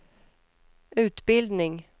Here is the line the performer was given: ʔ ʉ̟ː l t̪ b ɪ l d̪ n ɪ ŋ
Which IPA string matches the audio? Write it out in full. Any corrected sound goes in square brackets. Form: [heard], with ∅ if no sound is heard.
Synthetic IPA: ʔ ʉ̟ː [∅] t̪ b ɪ l d̪ n ɪ ŋ